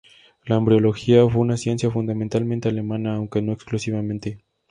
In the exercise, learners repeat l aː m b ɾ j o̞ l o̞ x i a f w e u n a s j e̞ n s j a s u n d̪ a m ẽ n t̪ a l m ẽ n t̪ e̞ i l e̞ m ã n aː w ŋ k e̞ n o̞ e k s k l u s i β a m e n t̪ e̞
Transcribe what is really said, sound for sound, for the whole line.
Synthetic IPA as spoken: l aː m b ɾ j o̞ l o̞ x i a f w e u n a s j e̞ n s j a f u n d̪ a m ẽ n t̪ a l m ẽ n t̪ e̞ a l e̞ m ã n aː w ŋ k e̞ n o̞ e k s k l u s i β a m ẽ n t̪ e̞